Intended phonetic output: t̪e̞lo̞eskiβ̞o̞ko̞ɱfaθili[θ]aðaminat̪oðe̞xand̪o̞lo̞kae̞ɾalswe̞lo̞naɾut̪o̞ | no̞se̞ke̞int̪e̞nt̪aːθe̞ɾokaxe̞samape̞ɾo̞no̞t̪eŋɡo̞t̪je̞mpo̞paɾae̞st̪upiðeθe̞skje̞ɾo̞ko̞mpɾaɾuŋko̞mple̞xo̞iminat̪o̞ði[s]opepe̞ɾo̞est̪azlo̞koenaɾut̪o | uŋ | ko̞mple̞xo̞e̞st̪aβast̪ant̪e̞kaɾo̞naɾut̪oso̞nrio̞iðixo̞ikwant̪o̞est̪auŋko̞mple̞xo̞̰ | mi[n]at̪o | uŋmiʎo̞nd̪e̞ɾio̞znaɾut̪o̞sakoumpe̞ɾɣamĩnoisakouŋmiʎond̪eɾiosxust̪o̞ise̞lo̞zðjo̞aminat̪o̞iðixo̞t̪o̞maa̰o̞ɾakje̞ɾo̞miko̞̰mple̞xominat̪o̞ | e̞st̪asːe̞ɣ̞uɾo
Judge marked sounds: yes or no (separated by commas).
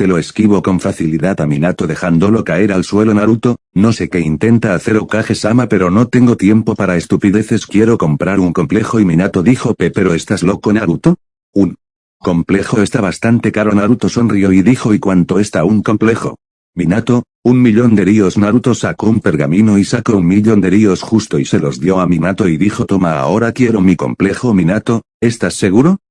no, no, yes